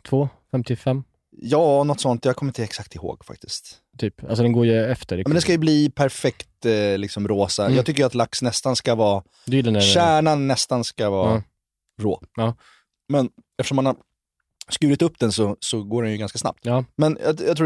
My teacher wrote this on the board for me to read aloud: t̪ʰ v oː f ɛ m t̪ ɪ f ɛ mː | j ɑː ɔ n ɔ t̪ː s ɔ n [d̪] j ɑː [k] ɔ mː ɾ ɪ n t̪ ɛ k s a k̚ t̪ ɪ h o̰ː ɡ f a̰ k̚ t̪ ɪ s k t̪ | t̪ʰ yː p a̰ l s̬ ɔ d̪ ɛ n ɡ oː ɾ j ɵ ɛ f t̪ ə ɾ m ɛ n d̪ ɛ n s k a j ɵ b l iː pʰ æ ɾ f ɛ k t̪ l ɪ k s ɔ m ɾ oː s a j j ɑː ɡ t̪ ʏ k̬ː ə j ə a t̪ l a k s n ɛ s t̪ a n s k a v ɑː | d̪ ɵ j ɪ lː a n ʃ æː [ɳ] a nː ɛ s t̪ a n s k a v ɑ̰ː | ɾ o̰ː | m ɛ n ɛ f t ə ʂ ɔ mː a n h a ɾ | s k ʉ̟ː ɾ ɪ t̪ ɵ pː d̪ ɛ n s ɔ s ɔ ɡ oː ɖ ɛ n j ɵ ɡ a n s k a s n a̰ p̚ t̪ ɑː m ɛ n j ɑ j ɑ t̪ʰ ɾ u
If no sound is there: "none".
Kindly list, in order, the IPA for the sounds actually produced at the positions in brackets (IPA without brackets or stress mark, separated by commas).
t̪, kʰ, ɳ